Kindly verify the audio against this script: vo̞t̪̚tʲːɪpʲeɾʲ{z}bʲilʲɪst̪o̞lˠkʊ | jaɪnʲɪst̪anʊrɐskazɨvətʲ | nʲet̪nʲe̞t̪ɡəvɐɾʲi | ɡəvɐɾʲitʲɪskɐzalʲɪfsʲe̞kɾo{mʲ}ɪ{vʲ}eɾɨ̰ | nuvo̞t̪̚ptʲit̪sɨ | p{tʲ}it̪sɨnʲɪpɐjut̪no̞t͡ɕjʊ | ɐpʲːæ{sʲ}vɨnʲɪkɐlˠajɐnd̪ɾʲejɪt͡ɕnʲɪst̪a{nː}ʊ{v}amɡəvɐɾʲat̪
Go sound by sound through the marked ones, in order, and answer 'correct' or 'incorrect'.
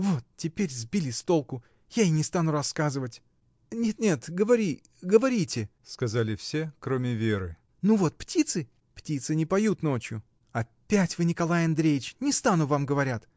correct, correct, correct, correct, incorrect: tʲ, incorrect: n, correct

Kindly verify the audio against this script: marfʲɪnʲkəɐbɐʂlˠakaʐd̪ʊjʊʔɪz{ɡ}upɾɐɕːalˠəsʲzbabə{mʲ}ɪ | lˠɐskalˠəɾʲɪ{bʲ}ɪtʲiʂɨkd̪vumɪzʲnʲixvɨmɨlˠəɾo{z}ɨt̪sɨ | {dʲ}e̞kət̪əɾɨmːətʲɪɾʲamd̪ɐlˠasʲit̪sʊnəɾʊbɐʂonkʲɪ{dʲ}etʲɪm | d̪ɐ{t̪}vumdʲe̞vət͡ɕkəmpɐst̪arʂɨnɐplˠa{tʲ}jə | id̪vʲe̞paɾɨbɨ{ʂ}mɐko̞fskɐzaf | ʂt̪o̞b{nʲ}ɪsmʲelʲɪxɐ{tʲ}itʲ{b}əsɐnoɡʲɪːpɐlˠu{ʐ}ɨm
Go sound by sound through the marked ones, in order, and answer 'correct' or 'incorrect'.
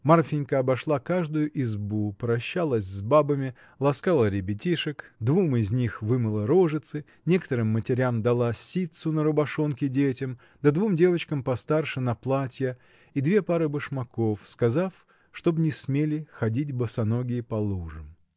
incorrect: b, correct, correct, incorrect: ʐ, incorrect: nʲ, correct, incorrect: d̪, correct, correct, correct, incorrect: dʲ, correct, correct

